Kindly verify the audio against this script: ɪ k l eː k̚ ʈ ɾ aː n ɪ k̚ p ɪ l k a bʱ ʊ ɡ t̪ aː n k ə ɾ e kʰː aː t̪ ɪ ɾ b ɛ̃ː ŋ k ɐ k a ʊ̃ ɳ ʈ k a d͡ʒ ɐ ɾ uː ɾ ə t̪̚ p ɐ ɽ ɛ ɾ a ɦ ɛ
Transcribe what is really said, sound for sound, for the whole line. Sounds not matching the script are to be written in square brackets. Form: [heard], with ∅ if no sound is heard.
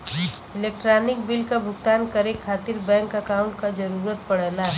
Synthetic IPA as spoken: ɪ [∅] l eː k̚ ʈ ɾ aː n ɪ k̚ [b] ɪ l k a bʱ ʊ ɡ t̪ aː n k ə ɾ e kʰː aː t̪ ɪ ɾ b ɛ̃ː ŋ k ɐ k a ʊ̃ ɳ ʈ k a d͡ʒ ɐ ɾ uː ɾ ə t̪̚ p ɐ ɽ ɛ [l] a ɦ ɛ